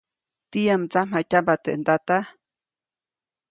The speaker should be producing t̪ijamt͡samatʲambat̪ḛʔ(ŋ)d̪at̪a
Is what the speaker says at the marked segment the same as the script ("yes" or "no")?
no